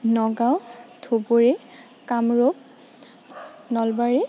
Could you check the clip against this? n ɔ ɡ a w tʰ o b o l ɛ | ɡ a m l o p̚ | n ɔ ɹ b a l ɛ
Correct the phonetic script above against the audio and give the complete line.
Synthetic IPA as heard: n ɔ ɡ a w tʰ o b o ɹ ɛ | k a m ɹ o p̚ | n ɔ l b a ɹ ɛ